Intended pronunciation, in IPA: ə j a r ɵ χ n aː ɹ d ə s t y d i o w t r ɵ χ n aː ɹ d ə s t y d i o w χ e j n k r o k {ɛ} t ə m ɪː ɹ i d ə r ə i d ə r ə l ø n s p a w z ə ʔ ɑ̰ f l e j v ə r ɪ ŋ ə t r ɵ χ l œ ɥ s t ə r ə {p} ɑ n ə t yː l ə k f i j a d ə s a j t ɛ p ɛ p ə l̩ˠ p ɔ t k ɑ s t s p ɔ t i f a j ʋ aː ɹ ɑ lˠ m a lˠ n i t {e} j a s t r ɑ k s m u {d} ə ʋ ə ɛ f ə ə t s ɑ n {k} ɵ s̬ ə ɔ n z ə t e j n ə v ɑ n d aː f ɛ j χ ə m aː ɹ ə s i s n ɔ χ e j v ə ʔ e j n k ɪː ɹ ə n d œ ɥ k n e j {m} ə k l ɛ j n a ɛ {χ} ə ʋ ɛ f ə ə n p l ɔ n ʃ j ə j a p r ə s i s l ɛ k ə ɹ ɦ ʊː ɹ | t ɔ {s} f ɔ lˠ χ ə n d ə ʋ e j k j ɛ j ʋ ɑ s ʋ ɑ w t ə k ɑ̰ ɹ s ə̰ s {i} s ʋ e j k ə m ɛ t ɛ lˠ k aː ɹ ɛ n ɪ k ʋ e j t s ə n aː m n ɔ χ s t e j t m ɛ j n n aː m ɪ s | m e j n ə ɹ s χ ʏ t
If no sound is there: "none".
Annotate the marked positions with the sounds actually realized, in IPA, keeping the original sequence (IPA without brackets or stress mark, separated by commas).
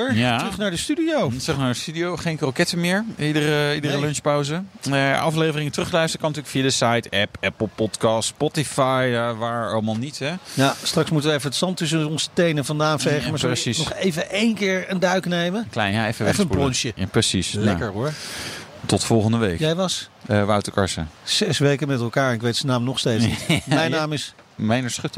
ɛ, k, ɛ, t, t, m, f, t, ɛ